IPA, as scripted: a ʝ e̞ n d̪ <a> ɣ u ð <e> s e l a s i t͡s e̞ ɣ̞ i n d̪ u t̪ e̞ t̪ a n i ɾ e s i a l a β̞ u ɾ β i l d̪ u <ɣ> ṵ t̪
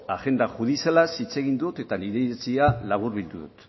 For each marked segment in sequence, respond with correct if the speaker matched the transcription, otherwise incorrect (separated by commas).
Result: correct, incorrect, incorrect